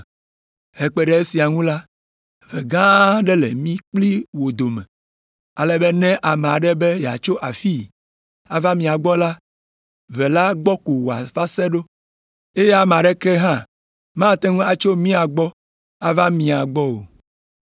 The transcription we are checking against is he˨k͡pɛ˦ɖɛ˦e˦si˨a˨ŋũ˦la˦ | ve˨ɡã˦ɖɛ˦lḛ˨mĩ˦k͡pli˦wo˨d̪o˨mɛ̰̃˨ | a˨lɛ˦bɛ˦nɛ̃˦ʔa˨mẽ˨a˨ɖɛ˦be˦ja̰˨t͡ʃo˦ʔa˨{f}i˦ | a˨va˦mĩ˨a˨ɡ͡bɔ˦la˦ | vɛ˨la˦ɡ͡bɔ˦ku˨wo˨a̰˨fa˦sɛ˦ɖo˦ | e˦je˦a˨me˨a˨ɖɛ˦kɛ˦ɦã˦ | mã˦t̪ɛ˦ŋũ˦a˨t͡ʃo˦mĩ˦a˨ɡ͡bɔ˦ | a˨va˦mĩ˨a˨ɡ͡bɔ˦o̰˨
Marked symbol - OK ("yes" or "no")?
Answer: yes